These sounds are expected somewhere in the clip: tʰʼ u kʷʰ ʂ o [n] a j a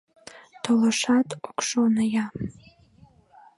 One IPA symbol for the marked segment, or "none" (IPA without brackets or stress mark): n